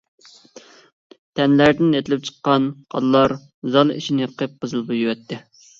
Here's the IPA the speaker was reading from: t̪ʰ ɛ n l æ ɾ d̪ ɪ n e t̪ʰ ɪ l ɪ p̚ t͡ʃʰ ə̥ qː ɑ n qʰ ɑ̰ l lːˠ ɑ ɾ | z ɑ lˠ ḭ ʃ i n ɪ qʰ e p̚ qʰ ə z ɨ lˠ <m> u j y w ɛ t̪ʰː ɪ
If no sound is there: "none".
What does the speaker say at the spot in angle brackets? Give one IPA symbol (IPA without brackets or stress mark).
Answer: b